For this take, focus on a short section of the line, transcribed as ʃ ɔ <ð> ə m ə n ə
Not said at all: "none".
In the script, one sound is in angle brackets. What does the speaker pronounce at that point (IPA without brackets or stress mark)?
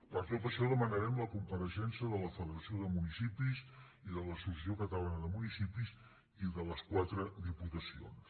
ð